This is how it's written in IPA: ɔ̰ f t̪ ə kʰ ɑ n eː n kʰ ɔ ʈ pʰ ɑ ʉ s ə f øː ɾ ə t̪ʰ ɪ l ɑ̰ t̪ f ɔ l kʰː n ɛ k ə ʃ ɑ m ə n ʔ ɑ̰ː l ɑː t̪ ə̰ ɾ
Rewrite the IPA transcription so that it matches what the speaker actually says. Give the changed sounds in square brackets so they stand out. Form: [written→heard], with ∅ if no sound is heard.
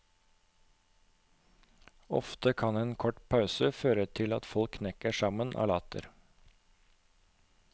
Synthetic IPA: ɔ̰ f t̪ ə kʰ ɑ n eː n kʰ ɔ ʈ pʰ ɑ ʉ s ə f øː ɾ ə t̪ʰ ɪ l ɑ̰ t̪ f ɔ l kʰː n ɛ k ə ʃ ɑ m ə n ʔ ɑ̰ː l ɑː t̪ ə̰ ɾ